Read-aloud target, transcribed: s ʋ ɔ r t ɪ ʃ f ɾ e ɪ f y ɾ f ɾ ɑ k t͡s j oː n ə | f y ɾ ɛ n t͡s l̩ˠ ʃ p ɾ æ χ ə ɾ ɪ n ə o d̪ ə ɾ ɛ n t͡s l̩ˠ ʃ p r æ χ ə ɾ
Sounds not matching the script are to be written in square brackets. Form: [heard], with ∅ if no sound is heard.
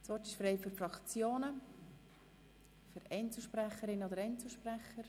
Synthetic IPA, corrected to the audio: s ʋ ɔ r t ɪ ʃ f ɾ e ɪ f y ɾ f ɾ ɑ k t͡s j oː n ə | f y ɾ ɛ n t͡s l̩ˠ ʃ p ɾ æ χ ə ɾ ɪ n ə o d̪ ə ɾ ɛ n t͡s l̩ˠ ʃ p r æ χ ə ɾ

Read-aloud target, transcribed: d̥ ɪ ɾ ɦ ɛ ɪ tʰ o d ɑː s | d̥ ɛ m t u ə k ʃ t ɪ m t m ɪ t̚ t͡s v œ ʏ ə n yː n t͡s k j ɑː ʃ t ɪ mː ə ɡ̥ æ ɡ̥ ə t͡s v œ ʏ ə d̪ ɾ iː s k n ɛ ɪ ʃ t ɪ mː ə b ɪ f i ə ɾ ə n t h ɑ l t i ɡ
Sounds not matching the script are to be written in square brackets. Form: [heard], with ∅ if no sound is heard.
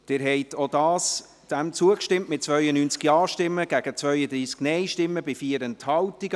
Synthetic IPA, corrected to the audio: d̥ ɪ ɾ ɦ ɛ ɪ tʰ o d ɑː s | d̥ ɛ m [t͡s] u ə k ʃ t ɪ m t m ɪ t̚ t͡s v œ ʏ ə n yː n t͡s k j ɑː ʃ t ɪ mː ə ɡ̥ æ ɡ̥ ə t͡s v œ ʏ ə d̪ ɾ iː s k n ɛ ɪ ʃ t ɪ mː ə b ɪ f i ə ɾ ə n t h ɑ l t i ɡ

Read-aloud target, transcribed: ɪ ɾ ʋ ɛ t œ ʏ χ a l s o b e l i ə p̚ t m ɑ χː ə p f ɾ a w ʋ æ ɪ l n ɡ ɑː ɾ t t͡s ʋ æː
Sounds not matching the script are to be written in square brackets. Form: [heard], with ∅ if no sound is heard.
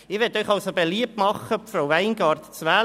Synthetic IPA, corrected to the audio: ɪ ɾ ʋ ɛ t œ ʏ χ [ɑ] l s o b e l i ə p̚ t m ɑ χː ə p f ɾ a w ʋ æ ɪ [∅] n ɡ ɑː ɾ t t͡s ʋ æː

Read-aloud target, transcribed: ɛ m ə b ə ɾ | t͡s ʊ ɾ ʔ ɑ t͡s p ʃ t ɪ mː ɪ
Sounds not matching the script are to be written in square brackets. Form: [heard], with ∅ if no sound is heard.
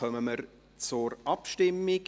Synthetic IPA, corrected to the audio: [œ] m ə [m] ə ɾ | t͡s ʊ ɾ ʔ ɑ [∅] p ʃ t ɪ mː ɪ

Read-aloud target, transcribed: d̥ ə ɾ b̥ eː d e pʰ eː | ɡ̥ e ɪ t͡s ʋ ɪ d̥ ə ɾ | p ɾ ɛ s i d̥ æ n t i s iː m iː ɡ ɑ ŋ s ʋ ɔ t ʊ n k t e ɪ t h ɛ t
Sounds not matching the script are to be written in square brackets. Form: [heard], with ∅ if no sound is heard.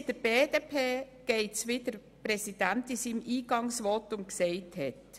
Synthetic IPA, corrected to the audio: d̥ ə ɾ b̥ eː d e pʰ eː | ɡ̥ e ɪ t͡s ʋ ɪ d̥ ə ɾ | p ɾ ɛ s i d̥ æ n t i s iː m iː ɡ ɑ ŋ s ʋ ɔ t ʊ n k [s] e ɪ t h ɛ t

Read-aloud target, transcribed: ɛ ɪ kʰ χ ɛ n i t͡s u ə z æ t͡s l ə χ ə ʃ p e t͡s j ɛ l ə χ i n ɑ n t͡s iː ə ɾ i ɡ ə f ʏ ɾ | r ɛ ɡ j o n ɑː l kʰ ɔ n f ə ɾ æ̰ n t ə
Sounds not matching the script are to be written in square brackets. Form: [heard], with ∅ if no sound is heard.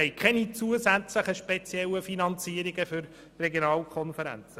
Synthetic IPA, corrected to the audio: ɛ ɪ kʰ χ ɛ n i t͡s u ə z æ t͡s l ə χ ə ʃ p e t͡s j ɛ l ə [f] i n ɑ n t͡s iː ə ɾ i ɡ ə f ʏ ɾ | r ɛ ɡ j o n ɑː l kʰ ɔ n f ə ɾ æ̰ n [t͡s] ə

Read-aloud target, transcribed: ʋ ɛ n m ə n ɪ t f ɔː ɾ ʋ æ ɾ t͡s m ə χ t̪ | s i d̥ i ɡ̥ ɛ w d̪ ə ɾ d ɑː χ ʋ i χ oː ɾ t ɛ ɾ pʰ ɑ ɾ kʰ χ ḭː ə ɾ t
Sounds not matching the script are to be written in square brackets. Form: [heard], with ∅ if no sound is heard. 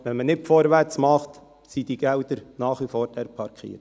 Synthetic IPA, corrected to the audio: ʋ ɛ n m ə n ɪ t f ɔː ɾ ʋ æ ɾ t͡s m [ɑ] χ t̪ | s i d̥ i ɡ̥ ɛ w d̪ ə ɾ [n] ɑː χ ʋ i [f] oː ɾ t ɛ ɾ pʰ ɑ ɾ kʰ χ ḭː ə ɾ t

